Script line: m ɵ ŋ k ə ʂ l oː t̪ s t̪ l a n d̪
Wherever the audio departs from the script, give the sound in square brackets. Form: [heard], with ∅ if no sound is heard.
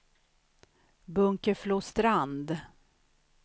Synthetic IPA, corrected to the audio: [b] ɵ ŋ k ə [f] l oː [∅] s t̪ [ɾ] a n d̪